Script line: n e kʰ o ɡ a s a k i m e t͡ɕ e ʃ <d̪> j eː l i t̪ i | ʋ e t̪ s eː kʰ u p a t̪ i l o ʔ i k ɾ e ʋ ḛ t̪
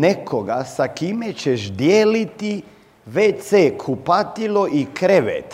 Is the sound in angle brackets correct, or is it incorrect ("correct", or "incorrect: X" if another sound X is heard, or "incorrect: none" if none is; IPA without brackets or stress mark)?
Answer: correct